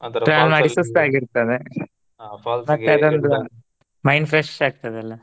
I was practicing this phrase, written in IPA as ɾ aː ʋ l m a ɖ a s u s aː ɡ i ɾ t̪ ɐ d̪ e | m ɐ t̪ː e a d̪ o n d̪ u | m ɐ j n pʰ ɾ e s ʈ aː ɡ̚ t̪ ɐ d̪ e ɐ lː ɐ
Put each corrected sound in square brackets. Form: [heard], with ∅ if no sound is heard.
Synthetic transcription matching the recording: ɾ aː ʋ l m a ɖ [i] s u s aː ɡ i ɾ t̪ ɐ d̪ e | m ɐ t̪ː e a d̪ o n d̪ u | m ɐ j n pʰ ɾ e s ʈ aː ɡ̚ t̪ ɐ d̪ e ɐ lː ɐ